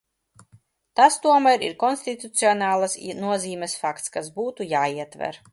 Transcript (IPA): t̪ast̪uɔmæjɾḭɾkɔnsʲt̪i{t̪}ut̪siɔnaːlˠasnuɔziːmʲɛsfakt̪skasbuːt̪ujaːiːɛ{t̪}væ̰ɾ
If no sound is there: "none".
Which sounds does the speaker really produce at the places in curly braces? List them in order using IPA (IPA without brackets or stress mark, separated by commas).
t̪, t̪